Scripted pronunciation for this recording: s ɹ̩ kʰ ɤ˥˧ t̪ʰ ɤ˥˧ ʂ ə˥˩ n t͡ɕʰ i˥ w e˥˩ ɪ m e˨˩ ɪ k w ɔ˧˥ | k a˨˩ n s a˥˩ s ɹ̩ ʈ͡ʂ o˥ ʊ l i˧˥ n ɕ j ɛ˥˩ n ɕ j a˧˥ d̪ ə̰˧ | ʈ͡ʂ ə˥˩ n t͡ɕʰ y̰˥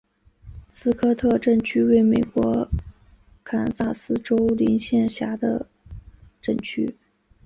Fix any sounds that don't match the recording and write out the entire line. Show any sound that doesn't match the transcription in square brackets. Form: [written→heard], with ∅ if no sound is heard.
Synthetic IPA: s ɹ̩ kʰ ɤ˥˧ t̪ʰ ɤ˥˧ [ʂ→ʈ͡ʂ] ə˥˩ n t͡ɕʰ [i˥→y˥] w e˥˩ ɪ m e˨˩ ɪ k w ɔ˧˥ | [k→kʰ] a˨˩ n s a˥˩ s ɹ̩ ʈ͡ʂ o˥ ʊ l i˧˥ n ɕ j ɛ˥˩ n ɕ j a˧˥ d̪ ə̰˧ | ʈ͡ʂ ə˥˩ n t͡ɕʰ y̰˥